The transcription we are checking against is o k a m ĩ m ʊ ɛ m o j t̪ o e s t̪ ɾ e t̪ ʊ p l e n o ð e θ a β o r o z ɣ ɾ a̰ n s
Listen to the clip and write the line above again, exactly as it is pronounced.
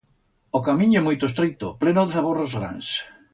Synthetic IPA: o k a m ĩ ɲ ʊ ɛ m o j t̪ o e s t̪ ɾ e t̪ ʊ p l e n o ð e θ a β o r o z ɣ ɾ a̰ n s